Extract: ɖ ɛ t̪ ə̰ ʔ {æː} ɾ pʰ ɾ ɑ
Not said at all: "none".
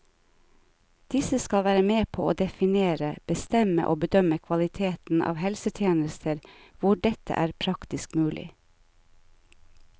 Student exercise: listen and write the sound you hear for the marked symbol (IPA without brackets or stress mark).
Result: æː